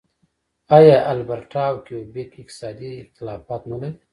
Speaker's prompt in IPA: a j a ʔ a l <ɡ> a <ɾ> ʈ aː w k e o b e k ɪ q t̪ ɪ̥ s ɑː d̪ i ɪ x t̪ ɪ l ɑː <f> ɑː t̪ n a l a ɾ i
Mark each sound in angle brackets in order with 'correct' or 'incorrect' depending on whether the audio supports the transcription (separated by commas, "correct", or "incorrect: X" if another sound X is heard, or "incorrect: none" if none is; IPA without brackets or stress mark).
incorrect: b, correct, correct